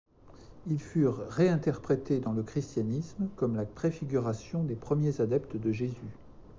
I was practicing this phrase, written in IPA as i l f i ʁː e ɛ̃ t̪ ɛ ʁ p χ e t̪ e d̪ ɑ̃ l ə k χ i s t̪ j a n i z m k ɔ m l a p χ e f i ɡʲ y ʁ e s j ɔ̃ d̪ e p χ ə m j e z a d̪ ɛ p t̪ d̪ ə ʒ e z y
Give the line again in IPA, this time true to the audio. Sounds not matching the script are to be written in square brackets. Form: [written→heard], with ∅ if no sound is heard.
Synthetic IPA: i l f [i→y] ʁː e ɛ̃ t̪ ɛ ʁ p χ e t̪ e d̪ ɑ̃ l ə k χ i s t̪ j a n i [z→s] m k ɔ m l a p χ e f i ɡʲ y ʁ [e→a] s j ɔ̃ d̪ e p χ ə m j e z a d̪ ɛ p t̪ d̪ ə ʒ e z y